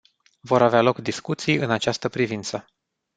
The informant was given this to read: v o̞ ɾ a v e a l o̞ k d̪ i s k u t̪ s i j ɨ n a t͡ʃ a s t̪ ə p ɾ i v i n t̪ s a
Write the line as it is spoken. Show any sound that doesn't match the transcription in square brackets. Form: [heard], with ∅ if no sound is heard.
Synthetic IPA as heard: v o̞ ɾ a v e a l o̞ k d̪ i s k u t̪ s i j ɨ n a t͡ʃ a s t̪ ə p ɾ i v i n t̪ s [ə]